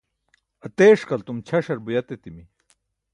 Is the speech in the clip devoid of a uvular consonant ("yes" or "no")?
yes